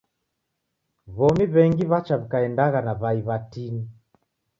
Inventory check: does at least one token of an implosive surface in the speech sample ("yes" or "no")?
no